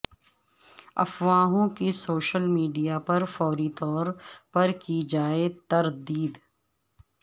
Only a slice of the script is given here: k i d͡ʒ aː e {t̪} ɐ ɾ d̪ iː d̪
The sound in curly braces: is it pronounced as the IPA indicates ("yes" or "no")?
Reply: yes